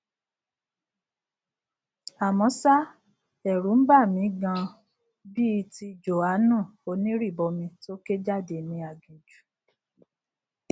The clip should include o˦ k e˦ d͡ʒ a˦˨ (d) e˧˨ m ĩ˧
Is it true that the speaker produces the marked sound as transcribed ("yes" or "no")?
yes